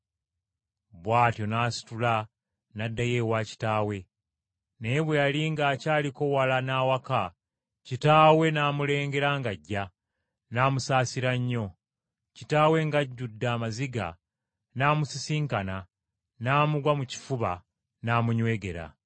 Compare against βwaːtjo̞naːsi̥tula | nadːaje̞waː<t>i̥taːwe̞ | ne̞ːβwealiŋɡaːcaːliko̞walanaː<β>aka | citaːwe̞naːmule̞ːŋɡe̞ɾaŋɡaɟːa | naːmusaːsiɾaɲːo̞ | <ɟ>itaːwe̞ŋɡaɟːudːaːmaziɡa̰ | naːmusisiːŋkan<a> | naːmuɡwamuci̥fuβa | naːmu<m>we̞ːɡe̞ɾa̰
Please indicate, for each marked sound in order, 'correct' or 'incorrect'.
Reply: incorrect, incorrect, incorrect, correct, incorrect

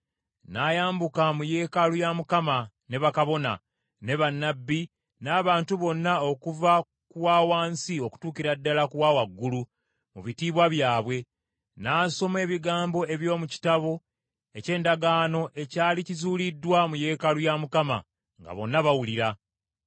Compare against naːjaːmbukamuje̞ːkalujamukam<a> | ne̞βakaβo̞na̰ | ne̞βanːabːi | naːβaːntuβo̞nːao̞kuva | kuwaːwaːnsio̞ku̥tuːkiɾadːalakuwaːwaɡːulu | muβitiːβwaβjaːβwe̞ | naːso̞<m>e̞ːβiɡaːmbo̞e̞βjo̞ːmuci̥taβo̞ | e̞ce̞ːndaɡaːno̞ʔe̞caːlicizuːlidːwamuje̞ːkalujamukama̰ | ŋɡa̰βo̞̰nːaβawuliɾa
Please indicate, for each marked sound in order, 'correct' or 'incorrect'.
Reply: correct, correct

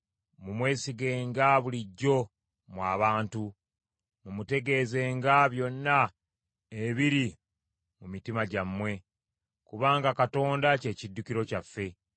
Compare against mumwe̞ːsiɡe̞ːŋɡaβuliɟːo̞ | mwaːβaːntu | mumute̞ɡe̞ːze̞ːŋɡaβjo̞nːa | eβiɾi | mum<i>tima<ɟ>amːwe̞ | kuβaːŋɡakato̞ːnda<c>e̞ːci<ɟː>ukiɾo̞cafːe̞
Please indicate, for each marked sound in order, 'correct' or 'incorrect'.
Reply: correct, correct, correct, incorrect

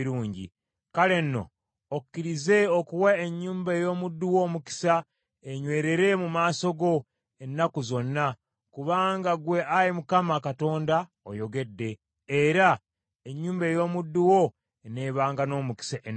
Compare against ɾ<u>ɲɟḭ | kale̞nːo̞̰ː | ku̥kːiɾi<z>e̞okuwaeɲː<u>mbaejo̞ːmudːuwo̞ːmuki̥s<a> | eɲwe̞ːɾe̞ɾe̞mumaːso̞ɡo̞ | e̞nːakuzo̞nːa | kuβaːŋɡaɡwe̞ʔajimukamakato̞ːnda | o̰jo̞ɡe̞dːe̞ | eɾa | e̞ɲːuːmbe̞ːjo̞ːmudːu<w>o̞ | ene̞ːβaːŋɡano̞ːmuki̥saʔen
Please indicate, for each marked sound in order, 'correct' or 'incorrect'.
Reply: incorrect, correct, incorrect, correct, correct

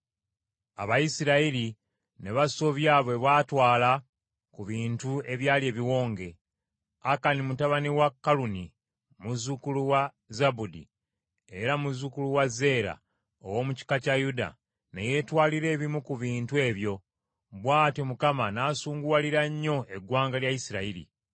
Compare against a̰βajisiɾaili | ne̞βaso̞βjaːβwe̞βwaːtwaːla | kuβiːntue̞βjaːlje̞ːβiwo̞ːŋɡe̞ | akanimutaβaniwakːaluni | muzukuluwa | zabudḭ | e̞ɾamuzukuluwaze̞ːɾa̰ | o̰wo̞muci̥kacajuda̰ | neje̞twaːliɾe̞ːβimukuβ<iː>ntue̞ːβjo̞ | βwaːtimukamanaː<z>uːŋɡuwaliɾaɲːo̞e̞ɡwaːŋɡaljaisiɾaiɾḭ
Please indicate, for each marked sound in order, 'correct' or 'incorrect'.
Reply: correct, incorrect

